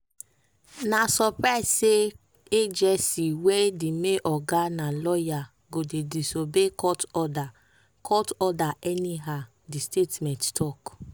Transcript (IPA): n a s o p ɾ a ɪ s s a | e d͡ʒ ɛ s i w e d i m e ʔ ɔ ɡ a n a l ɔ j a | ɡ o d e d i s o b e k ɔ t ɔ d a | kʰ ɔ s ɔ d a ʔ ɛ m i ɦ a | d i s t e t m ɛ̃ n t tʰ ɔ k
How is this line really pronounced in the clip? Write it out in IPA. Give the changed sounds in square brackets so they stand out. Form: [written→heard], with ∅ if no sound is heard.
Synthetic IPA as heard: n a s [o→ɔ] p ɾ a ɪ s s [a→e] | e d͡ʒ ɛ s i w e d i m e ʔ ɔ ɡ a n a l ɔ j a | ɡ o d e d i s o b e k ɔ t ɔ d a | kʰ ɔ [s→t] ɔ d a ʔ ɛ [m→n] i ɦ a | d i s t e t m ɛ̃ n t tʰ ɔ k